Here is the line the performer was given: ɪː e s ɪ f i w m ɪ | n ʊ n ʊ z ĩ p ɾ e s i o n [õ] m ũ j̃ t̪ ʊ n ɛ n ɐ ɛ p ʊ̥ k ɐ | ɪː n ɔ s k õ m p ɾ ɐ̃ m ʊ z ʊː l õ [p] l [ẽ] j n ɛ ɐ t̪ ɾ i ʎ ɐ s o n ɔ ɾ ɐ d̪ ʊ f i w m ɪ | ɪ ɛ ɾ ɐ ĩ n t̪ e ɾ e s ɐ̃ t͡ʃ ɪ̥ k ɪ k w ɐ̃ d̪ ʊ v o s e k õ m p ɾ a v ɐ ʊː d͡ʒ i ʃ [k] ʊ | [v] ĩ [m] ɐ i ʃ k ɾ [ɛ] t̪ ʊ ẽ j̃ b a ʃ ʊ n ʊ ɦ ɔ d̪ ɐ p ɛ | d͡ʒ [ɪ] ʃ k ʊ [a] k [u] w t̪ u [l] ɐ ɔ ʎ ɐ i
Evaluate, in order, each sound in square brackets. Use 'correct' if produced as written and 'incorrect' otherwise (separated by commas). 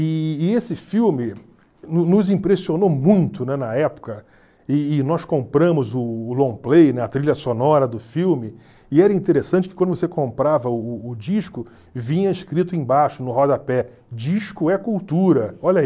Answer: incorrect, correct, incorrect, correct, correct, incorrect, incorrect, incorrect, incorrect, correct, incorrect